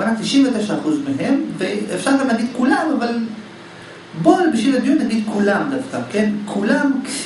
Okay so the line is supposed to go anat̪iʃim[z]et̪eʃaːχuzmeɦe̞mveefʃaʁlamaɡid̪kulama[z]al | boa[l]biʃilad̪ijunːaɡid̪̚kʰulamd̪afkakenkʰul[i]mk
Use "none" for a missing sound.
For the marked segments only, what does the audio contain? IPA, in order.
v, v, l, a

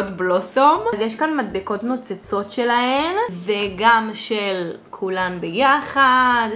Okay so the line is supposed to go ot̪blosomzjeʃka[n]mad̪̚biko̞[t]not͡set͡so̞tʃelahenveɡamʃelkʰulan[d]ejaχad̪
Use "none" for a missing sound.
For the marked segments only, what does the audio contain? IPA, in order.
n, t, b

